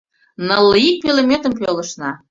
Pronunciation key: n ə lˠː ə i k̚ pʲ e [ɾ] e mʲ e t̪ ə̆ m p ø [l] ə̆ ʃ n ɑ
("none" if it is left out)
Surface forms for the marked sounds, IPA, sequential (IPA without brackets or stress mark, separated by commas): l, l